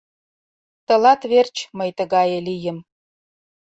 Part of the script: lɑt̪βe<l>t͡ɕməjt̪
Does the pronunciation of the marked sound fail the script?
yes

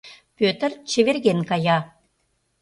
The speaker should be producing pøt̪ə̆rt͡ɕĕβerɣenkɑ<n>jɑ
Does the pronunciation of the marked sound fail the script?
yes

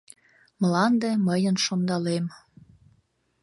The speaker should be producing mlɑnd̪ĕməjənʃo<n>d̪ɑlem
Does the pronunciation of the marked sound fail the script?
no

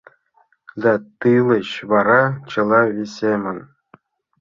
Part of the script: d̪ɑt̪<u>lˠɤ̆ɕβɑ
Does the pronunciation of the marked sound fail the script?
yes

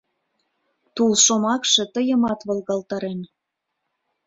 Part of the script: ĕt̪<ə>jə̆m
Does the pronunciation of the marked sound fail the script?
no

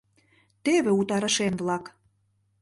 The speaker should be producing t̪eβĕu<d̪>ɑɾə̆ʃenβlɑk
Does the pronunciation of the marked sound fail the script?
yes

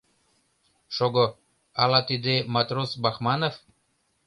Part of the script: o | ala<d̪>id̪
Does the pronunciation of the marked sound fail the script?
yes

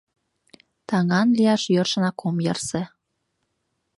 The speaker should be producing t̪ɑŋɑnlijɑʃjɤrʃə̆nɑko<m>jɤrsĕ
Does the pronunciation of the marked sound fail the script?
no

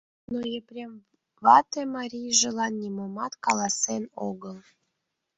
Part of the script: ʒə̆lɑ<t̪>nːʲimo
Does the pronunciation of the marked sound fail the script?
yes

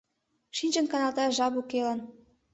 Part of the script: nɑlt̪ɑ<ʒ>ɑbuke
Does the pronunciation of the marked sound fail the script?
no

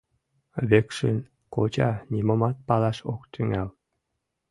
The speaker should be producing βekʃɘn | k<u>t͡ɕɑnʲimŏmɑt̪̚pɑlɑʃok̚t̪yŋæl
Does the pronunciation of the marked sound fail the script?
yes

